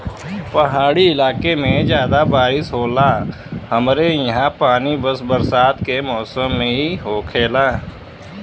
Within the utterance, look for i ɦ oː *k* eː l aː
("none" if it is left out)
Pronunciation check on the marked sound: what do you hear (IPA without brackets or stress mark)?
kʰ